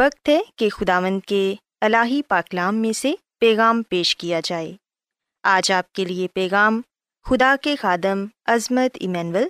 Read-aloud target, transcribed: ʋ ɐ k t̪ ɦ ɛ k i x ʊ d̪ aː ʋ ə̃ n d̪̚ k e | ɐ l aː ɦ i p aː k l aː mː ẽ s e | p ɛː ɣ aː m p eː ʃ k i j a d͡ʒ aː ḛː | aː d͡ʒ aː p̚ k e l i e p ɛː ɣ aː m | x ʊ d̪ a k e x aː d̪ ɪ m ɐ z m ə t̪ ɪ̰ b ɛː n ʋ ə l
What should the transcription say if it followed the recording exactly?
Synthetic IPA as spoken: ʋ ɐ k t̪ ɦ ɛ k e x ʊ d̪ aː ʋ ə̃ n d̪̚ k e | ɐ l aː ɦ i p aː k l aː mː ẽ s e | p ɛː ɣ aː m p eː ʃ k i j a d͡ʒ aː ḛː | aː d͡ʒ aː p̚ k e l i e p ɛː ɣ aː m | x ʊ d̪ a k e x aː d̪ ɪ m ɐ z m ə t̪ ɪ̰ m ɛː n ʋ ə l